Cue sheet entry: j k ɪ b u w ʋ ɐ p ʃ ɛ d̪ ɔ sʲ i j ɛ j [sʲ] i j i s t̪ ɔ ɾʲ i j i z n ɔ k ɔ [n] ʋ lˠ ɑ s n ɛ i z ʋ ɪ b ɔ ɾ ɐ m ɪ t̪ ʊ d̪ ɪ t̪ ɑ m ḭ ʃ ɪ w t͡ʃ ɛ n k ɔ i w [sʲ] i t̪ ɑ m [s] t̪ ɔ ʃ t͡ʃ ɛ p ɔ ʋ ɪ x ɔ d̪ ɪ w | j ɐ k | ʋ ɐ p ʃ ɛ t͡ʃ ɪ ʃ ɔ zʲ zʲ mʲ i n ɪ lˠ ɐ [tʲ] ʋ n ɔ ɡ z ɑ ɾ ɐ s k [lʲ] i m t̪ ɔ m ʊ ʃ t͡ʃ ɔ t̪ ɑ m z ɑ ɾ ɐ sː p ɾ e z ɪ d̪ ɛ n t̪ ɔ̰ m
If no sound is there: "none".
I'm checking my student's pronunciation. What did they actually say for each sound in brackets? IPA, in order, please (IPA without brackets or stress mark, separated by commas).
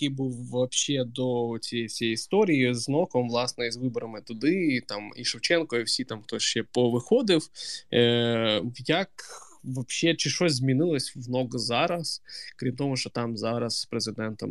sʲ, m, sʲ, x, sʲ, ɾʲ